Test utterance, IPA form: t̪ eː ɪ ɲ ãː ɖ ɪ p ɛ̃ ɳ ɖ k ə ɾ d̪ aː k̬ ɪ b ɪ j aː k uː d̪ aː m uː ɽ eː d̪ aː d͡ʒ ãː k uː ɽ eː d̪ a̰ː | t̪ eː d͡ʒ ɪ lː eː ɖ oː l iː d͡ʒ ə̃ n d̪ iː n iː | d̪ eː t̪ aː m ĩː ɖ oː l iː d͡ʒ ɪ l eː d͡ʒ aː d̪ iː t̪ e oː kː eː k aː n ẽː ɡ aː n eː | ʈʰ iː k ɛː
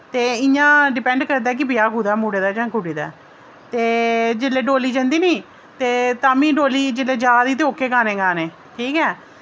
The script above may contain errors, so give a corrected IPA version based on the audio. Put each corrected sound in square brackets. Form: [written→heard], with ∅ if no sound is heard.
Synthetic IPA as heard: t̪ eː ɪ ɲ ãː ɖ ɪ p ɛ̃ ɳ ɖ k ə ɾ d̪ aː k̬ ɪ b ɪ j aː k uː d̪ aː m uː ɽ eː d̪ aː d͡ʒ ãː k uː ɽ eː d̪ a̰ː | t̪ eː d͡ʒ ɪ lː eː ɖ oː l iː d͡ʒ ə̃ n d̪ iː n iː | [d̪→t̪] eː t̪ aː m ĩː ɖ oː l iː d͡ʒ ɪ l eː d͡ʒ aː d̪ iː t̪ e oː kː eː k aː n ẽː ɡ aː n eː | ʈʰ iː k ɛː